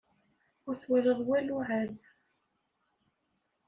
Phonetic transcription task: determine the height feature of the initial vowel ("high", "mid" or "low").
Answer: high